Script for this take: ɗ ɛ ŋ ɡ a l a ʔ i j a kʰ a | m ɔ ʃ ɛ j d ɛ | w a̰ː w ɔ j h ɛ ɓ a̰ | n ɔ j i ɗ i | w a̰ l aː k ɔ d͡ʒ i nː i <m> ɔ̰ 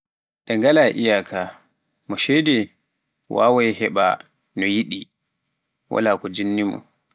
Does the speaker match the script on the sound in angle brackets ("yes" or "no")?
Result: yes